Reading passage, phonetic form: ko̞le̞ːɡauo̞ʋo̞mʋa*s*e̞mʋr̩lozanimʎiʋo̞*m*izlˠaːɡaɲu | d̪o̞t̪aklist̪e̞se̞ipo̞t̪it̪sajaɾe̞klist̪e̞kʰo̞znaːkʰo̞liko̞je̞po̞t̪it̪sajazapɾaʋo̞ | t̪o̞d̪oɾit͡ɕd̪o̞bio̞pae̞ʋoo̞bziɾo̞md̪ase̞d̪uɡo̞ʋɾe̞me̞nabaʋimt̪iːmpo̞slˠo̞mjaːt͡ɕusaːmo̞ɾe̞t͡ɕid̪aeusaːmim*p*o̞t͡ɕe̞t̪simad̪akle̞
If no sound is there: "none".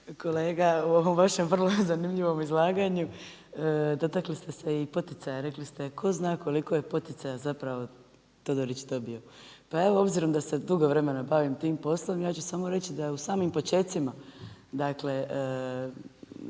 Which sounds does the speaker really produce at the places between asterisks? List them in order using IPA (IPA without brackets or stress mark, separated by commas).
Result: ʃ, m, p